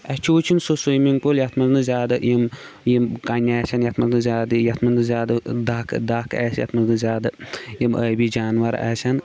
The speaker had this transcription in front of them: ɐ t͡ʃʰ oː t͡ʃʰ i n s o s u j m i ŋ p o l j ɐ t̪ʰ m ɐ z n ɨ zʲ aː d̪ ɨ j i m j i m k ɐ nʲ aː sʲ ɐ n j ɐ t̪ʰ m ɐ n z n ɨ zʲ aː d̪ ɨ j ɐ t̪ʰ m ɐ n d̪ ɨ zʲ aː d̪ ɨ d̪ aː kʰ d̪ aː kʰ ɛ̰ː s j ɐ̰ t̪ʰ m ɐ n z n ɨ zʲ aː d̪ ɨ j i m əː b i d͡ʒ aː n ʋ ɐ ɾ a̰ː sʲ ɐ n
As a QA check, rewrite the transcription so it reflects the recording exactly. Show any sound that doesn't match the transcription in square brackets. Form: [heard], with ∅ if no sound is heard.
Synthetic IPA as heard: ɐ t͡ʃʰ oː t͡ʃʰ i n s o s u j m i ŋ p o l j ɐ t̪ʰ m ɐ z n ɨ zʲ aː d̪ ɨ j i m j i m k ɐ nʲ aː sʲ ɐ n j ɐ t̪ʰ m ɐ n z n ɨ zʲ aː d̪ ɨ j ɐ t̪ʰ m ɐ n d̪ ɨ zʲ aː d̪ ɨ d̪ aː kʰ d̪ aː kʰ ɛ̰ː s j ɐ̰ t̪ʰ m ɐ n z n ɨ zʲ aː d̪ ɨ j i m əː b i d͡ʒ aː n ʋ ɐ ɾ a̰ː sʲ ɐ n